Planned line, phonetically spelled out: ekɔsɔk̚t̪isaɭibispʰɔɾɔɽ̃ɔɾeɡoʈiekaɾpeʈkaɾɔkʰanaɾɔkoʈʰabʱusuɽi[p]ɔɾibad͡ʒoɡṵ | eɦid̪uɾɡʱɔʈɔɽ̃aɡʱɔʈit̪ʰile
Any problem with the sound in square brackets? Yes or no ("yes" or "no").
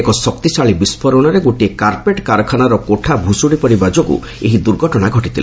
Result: no